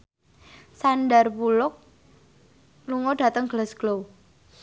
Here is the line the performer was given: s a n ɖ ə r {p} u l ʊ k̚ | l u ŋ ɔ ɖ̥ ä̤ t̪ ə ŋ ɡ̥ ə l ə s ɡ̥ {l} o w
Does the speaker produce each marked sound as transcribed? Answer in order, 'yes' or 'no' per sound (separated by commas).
yes, yes